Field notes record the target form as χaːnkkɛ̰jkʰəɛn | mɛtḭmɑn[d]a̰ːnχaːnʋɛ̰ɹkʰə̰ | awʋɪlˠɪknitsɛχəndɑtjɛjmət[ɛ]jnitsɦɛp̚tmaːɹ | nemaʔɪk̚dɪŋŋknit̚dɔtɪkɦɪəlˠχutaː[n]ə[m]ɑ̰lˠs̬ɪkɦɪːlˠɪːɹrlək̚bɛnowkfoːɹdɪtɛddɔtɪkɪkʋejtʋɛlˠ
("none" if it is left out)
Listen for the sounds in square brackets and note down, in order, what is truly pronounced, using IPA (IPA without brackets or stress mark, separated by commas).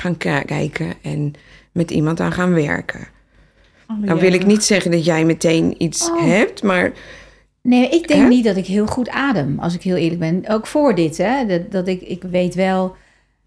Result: t, e, d, m